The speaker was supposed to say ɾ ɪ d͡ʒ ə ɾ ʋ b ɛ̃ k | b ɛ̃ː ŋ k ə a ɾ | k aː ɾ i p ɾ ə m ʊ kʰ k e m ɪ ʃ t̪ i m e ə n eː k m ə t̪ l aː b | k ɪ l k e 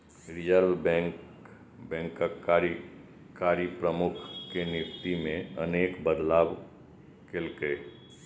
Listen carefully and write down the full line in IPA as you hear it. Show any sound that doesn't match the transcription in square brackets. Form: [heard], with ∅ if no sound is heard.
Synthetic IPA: ɾ ɪ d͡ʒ ə ɾ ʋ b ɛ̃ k | b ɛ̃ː ŋ k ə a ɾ | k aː ɾ i p ɾ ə m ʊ kʰ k e [n] ɪ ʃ t̪ i m [ẽ] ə n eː k [b] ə [d̪] l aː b | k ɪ l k e